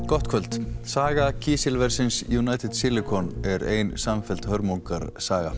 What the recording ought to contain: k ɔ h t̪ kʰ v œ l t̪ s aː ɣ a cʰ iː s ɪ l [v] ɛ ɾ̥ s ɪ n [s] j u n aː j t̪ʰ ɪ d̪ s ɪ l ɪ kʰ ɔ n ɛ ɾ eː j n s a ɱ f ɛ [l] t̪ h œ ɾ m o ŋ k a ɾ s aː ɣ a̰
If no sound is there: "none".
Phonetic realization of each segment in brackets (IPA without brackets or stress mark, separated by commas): v, s, l